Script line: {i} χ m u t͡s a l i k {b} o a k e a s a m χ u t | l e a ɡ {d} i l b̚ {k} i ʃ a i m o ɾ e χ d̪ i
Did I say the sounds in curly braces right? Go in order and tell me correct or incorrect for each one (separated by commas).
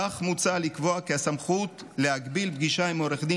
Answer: incorrect, incorrect, incorrect, incorrect